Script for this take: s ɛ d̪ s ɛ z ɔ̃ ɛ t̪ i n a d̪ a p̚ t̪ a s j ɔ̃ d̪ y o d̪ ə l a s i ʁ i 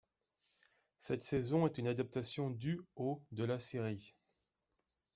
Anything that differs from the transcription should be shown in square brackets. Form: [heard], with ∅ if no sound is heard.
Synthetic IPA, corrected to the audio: s ɛ [t̪] s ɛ z ɔ̃ ɛ t̪ [y] n a d̪ a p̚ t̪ a s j ɔ̃ d̪ y o d̪ ə l a s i ʁ i